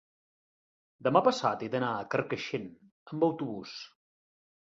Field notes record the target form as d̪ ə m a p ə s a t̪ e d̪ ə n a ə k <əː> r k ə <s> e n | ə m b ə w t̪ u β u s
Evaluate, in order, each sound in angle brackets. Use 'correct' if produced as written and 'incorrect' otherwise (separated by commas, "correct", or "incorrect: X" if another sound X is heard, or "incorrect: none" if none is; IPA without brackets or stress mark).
incorrect: ə, incorrect: ʃ